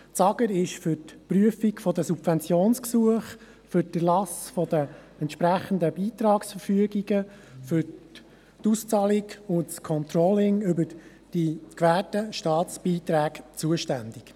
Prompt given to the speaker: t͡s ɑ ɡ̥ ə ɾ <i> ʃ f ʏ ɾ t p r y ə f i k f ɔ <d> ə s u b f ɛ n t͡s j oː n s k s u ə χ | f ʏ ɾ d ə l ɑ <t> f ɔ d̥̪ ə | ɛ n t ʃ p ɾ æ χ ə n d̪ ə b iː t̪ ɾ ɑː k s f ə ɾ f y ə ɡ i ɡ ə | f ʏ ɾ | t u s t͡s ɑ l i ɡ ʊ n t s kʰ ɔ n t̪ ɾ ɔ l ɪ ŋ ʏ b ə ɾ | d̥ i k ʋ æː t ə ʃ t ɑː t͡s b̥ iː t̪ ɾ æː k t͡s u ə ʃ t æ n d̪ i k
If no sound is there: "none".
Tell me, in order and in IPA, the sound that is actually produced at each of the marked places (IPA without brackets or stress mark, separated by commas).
ɪ, d, s